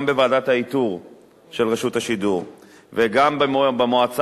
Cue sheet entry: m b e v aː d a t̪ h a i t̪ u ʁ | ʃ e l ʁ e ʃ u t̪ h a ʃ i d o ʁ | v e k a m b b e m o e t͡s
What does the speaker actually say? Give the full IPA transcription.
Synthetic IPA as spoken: m b e v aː d a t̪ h a i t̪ u ʁ | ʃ e l ʁ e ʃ u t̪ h a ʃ i d u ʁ | v e ɡ a m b b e m o a t͡s